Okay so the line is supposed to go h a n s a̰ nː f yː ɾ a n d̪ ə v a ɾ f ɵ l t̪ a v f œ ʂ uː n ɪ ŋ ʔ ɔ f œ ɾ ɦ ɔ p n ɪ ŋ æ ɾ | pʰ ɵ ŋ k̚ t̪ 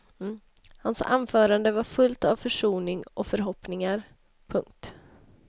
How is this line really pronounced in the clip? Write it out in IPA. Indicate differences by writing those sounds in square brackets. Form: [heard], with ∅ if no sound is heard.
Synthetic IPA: h a n s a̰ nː f [œː] ɾ a n d̪ ə v a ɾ f ɵ l t̪ a v f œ ʂ uː n ɪ ŋ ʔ ɔ f œ ɾ ɦ ɔ p n ɪ ŋ [a] ɾ | pʰ ɵ ŋ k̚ t̪